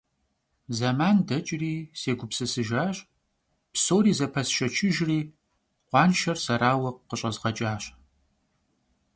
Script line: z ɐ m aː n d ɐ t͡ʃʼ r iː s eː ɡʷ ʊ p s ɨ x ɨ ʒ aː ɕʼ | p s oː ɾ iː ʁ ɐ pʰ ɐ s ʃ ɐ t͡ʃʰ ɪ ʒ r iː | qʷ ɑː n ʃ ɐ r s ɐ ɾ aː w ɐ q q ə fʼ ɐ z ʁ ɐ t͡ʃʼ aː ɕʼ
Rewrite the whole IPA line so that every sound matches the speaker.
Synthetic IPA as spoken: z ɐ m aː n d ɐ t͡ʃʼ r iː s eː ɡʷ ʊ p s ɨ s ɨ ʒ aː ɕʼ | p s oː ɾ iː z ɐ pʰ ɐ s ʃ ɐ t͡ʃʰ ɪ ʒ r iː | qʷ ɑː n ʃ ɐ r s ɐ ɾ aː w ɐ q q ə ɕʼ ɐ z ʁ ɐ t͡ʃʼ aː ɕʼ